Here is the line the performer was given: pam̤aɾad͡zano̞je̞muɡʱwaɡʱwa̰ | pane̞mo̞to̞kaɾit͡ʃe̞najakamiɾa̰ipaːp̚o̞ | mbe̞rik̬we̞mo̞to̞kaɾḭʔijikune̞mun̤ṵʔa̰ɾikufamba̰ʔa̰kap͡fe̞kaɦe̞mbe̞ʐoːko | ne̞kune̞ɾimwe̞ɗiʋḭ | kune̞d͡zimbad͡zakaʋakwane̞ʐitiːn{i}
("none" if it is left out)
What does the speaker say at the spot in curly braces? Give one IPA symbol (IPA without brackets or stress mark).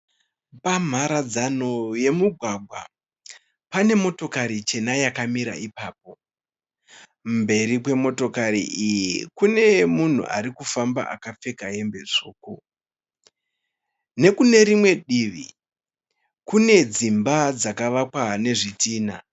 a